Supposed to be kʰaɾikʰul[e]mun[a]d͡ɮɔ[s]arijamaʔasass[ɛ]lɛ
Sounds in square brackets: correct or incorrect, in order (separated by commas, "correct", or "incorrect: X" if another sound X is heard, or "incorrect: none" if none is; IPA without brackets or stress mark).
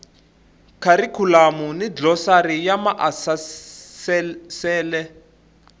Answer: incorrect: a, incorrect: i, correct, incorrect: ɛː